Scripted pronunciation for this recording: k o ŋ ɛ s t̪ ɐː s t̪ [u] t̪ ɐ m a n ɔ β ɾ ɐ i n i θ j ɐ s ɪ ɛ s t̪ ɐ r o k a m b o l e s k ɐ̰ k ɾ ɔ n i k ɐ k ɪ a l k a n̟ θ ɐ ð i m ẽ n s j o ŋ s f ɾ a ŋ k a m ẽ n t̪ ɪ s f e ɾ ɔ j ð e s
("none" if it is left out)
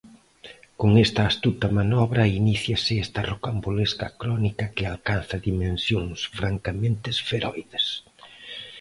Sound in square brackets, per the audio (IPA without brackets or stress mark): u